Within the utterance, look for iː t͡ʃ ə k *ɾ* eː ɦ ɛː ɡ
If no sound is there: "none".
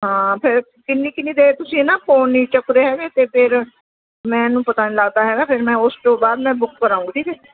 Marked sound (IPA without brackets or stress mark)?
ɾ